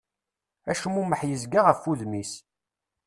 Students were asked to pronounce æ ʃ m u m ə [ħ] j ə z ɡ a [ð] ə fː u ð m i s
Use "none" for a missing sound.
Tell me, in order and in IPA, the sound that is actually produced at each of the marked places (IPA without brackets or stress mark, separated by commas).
ħ, ʁ